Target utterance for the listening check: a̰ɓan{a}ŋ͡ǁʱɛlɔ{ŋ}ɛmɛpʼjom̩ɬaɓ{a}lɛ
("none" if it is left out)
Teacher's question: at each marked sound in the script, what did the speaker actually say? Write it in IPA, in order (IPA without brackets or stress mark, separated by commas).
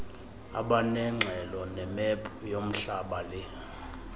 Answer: ɛ, n, a